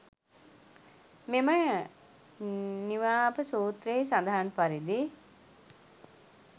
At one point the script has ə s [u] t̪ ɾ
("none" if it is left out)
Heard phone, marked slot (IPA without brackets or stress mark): uː